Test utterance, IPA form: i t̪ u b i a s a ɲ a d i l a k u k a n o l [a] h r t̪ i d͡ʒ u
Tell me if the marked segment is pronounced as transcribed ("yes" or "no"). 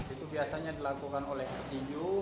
no